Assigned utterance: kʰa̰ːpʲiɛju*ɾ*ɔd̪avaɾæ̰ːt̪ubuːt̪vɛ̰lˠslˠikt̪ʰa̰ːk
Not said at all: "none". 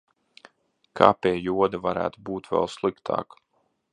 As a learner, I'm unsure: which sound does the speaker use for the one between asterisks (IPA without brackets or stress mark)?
none